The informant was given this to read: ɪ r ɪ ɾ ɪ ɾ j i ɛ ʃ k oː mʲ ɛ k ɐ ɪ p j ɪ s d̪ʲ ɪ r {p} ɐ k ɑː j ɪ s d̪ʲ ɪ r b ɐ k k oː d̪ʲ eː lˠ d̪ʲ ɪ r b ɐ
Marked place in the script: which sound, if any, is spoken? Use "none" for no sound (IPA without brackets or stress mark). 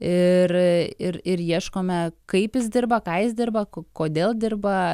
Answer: b